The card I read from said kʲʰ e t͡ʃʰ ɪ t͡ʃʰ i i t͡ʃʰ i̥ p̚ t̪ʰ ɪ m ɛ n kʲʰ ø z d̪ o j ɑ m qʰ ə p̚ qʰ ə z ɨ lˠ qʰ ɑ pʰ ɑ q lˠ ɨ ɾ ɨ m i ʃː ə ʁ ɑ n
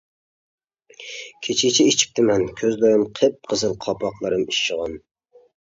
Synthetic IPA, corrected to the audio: kʲʰ e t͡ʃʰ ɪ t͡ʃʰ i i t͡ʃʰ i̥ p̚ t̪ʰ ɪ m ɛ n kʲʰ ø z d̪ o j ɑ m qʰ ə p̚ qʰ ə z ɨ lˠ qʰ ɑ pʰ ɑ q lˠ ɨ ɾ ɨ m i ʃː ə ʁ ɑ n